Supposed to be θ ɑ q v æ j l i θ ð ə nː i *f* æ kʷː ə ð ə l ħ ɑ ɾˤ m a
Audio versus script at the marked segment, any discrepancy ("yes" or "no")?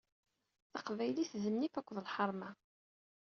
no